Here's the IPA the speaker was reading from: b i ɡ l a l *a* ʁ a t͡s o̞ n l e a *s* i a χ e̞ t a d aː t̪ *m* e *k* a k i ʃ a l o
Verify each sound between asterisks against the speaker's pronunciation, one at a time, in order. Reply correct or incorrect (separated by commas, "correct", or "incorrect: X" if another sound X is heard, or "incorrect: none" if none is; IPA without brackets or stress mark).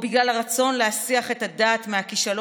correct, correct, correct, incorrect: none